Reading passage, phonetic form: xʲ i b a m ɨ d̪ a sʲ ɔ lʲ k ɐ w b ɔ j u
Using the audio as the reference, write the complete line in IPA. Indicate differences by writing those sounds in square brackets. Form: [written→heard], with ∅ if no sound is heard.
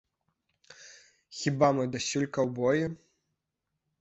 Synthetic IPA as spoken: xʲ i b a m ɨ d̪ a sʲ [ɔ→u] lʲ k ɐ w b ɔ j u